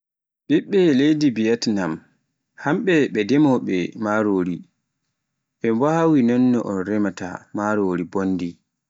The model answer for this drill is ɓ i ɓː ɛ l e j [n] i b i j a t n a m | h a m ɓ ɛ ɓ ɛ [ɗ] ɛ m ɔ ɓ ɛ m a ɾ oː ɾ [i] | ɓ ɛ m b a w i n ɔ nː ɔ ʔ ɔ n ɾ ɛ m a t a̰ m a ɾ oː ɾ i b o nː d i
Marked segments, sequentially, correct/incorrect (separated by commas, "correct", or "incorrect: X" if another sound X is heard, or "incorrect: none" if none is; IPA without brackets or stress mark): incorrect: d, incorrect: d, correct